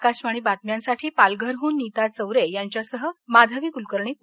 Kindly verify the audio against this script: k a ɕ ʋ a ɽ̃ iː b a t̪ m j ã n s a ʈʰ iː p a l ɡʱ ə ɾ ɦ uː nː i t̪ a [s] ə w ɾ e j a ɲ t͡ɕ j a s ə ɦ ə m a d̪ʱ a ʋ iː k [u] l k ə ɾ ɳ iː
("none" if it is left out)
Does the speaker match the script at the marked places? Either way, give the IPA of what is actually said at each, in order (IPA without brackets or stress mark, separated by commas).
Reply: t͡s, u